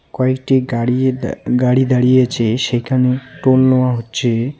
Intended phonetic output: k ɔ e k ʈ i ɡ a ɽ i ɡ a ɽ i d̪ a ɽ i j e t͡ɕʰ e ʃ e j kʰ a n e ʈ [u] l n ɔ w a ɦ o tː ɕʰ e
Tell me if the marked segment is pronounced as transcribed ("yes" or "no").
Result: no